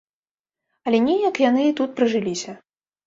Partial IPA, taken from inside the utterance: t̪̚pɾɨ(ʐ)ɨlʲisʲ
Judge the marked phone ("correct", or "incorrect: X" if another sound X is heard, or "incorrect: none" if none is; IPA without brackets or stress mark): correct